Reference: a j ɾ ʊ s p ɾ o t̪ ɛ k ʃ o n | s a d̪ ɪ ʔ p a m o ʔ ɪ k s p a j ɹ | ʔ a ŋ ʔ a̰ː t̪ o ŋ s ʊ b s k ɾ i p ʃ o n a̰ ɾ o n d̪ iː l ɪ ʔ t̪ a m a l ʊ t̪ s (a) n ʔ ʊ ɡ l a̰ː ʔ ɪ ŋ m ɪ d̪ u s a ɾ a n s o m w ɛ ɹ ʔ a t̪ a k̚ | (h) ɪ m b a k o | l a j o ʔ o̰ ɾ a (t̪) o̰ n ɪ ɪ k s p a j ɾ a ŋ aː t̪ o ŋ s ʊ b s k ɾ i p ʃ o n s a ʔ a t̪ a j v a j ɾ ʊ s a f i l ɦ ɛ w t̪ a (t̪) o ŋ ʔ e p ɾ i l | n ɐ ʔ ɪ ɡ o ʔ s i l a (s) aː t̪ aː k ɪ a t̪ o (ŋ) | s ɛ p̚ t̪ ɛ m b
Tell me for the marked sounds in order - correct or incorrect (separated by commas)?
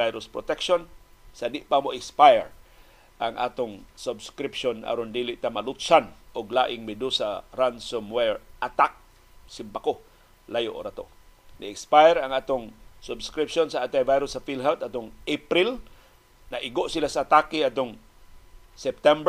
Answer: correct, incorrect, correct, correct, correct, correct